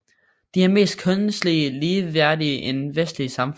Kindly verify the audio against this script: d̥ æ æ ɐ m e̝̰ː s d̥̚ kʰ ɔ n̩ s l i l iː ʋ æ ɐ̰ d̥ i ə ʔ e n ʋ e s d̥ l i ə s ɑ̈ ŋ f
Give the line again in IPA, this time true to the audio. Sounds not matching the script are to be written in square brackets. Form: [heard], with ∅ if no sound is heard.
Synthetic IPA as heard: d̥ [i] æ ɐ m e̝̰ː s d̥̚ kʰ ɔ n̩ s l i l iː ʋ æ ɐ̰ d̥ i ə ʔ e n ʋ e s d̥ l i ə s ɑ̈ [m] f

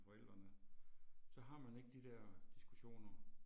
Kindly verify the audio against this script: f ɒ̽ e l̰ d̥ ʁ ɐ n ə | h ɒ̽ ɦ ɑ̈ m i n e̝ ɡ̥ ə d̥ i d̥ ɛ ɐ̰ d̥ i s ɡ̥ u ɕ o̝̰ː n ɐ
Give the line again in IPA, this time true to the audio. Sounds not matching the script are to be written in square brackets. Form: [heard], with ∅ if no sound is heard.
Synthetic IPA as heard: f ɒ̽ e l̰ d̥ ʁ ɐ n ə | [s] ɒ̽ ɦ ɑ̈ m [æ] n e̝ ɡ̥ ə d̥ i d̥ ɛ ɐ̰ d̥ i s ɡ̥ u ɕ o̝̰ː n ɐ

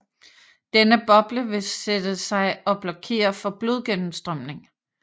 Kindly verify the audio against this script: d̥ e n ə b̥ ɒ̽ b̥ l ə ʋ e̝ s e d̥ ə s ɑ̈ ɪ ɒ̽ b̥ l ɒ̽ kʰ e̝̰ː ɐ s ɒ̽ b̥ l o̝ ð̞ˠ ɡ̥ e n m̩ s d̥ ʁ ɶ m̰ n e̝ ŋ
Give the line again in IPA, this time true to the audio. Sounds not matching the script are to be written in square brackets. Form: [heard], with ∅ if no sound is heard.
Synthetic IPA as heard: d̥ e n ə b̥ ɒ̽ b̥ l ə ʋ e̝ s e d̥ ə s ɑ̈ ɪ ɒ̽ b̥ l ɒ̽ kʰ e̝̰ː ɐ [f] ɒ̽ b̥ l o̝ ð̞ˠ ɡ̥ e n m̩ s d̥ ʁ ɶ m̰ n e̝ ŋ

